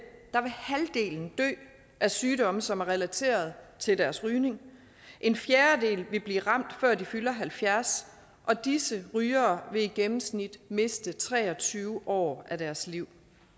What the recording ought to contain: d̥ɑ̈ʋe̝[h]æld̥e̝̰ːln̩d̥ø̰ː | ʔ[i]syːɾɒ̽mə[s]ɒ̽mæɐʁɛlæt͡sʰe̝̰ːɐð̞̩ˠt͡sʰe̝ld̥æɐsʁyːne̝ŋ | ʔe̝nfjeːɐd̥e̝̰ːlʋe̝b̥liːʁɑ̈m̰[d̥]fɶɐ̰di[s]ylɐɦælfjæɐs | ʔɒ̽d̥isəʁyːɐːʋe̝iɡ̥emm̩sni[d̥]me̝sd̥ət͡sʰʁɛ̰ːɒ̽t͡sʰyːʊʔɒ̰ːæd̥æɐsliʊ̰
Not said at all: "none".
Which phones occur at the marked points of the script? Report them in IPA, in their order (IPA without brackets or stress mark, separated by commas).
h, æ, s, d̥, f, d̥